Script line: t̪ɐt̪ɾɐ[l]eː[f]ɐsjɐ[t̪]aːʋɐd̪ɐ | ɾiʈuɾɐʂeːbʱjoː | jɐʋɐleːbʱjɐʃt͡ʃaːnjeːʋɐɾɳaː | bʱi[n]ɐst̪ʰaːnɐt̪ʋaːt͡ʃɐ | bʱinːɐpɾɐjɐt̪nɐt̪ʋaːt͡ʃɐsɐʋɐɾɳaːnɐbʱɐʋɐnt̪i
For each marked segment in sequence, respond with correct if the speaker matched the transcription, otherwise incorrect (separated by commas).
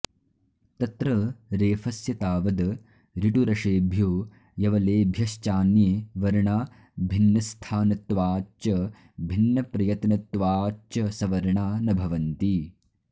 incorrect, correct, correct, incorrect